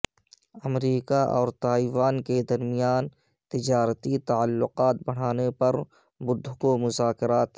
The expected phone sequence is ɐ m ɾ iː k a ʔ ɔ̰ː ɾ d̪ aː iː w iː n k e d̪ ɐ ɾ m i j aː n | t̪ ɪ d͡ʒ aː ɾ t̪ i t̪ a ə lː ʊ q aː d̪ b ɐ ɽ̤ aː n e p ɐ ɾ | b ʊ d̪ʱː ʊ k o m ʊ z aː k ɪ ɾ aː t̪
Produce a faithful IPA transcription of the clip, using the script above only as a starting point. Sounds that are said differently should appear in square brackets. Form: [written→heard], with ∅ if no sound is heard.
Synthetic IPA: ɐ m ɾ iː k a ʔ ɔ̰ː ɾ [d̪→t̪] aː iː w [iː→aː] n k e d̪ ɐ ɾ m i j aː n | t̪ ɪ d͡ʒ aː ɾ t̪ i t̪ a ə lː ʊ q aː [d̪→t̪] b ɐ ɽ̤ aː n e p ɐ ɾ | b ʊ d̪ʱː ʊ k o m ʊ z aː k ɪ ɾ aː t̪